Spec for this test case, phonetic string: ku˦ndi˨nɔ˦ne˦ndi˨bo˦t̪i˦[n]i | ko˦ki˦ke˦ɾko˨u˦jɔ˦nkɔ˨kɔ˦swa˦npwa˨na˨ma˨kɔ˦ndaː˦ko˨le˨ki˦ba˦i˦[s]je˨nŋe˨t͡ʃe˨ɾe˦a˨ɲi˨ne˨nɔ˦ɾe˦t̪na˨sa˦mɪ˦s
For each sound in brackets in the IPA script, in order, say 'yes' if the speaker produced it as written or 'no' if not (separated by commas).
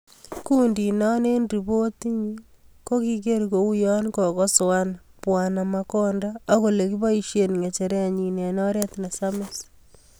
no, no